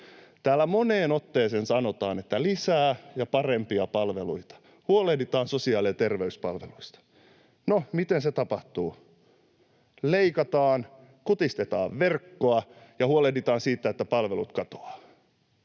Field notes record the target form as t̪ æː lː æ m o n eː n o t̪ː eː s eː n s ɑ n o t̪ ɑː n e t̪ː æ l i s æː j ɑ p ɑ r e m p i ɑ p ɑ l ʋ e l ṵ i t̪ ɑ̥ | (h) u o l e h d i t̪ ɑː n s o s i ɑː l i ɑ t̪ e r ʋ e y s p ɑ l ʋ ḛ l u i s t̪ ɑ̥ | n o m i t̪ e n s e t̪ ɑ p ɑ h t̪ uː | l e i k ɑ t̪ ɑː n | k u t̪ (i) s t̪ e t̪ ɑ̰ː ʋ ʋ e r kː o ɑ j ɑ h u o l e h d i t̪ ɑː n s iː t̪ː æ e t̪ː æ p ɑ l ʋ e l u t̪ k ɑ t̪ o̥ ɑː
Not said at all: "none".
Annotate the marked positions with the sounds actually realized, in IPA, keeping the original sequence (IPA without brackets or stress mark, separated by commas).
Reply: h, i